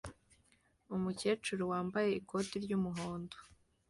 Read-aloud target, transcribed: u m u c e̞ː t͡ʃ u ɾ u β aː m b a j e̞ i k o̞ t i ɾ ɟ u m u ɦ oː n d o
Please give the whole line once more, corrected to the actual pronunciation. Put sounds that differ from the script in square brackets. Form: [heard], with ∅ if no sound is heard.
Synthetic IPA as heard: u m u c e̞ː t͡ʃ u ɾ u [w] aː m b a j e̞ i k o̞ t i ɾ ɟ u m u ɦ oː n d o